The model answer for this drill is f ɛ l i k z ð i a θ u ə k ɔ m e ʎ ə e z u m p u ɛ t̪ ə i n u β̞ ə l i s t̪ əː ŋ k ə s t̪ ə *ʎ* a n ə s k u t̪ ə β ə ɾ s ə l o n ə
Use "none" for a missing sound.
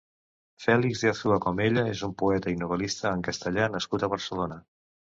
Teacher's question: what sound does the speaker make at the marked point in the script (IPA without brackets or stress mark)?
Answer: ʎ